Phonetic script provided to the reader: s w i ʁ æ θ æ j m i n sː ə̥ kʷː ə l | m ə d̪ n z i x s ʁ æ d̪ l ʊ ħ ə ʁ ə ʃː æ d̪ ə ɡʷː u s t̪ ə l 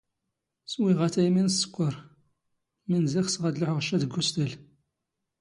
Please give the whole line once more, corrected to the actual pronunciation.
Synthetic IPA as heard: s w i ʁ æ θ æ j m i n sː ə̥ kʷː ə ɾ | m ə n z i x s ʁ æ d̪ l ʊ ħ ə ʁ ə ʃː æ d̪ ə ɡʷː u s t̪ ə l